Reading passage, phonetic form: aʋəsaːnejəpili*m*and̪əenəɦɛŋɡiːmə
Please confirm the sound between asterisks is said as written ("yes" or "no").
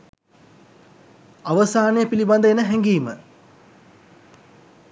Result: no